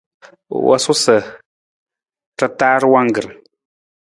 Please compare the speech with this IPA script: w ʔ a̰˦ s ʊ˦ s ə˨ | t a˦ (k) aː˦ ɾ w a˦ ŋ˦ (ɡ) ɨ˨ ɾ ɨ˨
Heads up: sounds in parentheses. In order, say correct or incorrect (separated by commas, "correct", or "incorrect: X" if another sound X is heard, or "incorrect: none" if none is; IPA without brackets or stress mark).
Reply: incorrect: t, correct